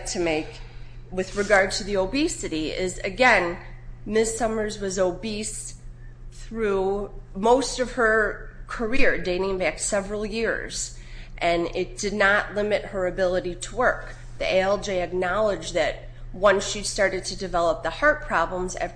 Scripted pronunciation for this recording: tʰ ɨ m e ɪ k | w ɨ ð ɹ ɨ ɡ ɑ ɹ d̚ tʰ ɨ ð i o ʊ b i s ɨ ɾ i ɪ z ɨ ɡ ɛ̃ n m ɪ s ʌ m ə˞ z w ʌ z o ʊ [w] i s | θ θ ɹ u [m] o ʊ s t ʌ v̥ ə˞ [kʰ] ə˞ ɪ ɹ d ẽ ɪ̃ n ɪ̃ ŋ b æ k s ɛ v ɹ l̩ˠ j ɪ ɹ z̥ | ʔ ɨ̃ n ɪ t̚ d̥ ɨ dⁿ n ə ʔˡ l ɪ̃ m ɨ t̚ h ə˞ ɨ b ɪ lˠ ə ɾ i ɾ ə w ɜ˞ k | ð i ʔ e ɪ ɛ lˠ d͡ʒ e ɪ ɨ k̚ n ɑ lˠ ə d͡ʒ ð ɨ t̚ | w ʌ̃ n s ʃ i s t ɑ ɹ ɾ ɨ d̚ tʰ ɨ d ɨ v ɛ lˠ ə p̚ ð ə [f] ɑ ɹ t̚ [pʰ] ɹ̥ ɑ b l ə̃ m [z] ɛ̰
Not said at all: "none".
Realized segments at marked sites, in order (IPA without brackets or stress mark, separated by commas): b, m, kʰ, h, pʰ, z